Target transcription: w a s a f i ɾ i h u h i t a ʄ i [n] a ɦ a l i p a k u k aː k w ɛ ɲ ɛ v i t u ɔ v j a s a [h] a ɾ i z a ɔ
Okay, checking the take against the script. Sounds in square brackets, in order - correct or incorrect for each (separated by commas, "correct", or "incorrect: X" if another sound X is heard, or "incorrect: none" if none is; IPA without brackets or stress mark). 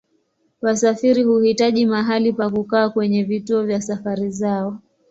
incorrect: m, incorrect: f